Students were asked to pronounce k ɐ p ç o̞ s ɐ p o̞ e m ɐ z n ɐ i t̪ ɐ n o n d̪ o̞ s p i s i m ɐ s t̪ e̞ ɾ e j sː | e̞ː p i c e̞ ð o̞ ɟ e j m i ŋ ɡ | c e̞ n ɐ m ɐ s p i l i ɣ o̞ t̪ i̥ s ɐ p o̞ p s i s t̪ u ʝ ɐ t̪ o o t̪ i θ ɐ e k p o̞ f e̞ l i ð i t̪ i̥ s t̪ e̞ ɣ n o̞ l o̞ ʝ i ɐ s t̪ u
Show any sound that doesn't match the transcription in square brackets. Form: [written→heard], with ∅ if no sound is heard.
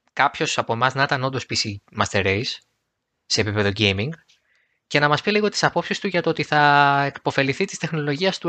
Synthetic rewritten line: k ɐ p ç o̞ s ɐ p o̞ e m ɐ z n ɐ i t̪ ɐ n o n d̪ o̞ s p i s i m ɐ s t̪ e̞ ɾ e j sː | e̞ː p i [c→p] e̞ ð o̞ ɟ e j m i ŋ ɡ | c e̞ n ɐ m ɐ s p i l i ɣ o̞ t̪ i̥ s ɐ p o̞ p s i s t̪ u ʝ ɐ t̪ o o t̪ i θ ɐ e k p o̞ f e̞ l i [ð→θ] i t̪ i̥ s t̪ e̞ [ɣ→x] n o̞ l o̞ ʝ i ɐ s t̪ u